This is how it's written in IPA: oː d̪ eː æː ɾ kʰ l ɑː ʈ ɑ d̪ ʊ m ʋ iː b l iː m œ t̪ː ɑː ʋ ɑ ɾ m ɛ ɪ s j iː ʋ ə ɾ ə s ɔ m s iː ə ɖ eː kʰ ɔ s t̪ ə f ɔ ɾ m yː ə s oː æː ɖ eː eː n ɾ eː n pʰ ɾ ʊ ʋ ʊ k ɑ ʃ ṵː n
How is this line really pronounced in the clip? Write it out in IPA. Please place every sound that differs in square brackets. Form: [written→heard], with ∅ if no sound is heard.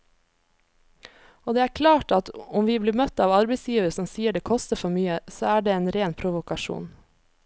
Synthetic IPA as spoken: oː d̪ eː æː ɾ kʰ l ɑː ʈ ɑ [d̪→t̪] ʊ m ʋ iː b l iː m œ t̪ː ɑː ʋ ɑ ɾ [m→b] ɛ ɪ s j iː ʋ ə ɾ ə s ɔ m s iː ə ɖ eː kʰ ɔ s t̪ ə f ɔ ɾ m yː ə s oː æː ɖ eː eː n ɾ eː n pʰ ɾ ʊ ʋ ʊ k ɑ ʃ ṵː n